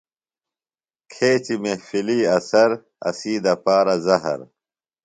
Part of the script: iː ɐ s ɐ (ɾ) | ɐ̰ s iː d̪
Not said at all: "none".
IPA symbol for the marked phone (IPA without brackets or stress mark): ɾ